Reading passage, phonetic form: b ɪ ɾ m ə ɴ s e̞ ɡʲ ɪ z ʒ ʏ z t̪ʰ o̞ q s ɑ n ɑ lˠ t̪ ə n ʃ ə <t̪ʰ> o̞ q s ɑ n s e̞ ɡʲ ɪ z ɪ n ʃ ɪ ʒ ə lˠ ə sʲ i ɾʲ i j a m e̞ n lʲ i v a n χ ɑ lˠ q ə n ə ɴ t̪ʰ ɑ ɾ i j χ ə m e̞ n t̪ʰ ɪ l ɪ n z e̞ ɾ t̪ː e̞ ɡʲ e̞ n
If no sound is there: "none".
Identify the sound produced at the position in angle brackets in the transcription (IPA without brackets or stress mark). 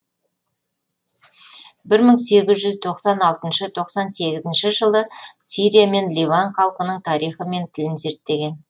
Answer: t̪ʰ